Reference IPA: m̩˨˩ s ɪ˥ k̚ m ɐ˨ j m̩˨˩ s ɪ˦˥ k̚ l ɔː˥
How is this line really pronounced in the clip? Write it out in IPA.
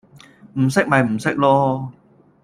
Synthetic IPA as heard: m̩˨˩ s ɪ˥ k̚ m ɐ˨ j m̩˨˩ s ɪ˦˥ k̚ l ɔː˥